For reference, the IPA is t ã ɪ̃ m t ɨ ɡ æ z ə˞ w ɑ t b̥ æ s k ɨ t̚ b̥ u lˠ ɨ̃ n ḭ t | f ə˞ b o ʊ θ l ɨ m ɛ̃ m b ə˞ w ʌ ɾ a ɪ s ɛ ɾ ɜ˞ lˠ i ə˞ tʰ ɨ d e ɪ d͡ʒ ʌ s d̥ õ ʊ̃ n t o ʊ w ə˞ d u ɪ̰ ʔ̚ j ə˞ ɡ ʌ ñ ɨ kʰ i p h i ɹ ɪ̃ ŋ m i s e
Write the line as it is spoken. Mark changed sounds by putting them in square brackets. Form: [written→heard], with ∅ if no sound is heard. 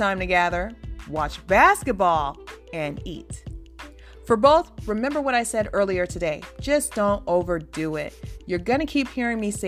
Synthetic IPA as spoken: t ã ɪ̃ m t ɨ ɡ æ [z→ð] ə˞ w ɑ [t→t͡ʃ] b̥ æ s k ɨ t̚ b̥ [u→ɔ] lˠ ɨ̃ n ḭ t | f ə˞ b o ʊ θ [l→ɹ] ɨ m ɛ̃ m b ə˞ w ʌ ɾ a ɪ s ɛ ɾ ɜ˞ lˠ i ə˞ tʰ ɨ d e ɪ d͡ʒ ʌ s d̥ õ ʊ̃ n t o ʊ [w→v] ə˞ d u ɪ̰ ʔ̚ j ə˞ ɡ ʌ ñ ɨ kʰ i p h i ɹ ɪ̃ ŋ m i s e